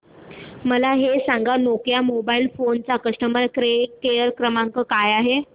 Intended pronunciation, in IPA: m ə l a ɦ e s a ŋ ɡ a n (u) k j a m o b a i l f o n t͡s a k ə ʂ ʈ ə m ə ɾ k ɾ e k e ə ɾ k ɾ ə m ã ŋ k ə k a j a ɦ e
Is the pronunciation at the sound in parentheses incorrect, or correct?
incorrect